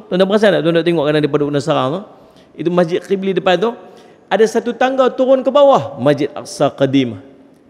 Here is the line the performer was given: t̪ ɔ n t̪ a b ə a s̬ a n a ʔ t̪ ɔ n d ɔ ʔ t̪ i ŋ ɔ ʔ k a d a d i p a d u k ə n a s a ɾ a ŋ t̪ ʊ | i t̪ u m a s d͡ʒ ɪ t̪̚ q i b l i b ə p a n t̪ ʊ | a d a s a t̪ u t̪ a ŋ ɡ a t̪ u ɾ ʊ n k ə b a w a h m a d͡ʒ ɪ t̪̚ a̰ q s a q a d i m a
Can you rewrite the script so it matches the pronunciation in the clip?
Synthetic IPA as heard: t̪ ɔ n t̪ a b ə a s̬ a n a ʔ t̪ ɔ n d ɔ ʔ t̪ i ŋ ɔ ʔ k a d a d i p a d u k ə n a s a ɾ a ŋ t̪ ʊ | i t̪ u m a s d͡ʒ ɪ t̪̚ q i b l i d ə p a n t̪ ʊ | a d a s a t̪ u t̪ a ŋ ɡ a t̪ u ɾ ʊ n k ə b a w a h m a d͡ʒ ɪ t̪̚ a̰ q s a q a d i m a